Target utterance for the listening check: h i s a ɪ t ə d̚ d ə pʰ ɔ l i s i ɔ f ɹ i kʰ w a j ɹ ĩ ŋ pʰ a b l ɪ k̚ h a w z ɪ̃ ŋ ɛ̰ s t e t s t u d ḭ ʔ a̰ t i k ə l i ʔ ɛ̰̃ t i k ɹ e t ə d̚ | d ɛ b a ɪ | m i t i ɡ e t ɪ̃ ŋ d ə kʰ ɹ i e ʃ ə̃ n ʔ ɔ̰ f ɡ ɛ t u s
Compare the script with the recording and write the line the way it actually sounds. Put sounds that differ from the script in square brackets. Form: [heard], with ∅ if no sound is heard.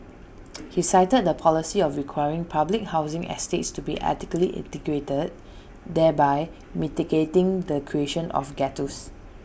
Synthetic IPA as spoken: h i s a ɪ t ə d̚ d ə pʰ ɔ l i s i ɔ f ɹ i kʰ w a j ɹ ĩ ŋ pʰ a b l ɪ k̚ h a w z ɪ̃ ŋ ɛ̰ s t e t s t u [b] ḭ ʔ a̰ t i k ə l i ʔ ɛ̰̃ t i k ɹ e t ə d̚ | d ɛ b a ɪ | m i t i ɡ e t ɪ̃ ŋ d ə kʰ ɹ i e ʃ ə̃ n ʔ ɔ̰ f ɡ ɛ t u s

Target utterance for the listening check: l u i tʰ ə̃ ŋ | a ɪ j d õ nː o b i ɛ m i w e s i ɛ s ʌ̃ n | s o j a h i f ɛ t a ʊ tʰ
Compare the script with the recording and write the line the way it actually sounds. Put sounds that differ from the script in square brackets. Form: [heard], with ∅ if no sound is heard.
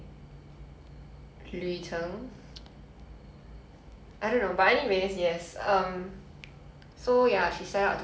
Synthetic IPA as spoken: l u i tʰ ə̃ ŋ | a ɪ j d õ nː o b [a] ɛ [n] i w e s [j] ɛ s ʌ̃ [m] | s o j a [ʃ] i [s] ɛ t a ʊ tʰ

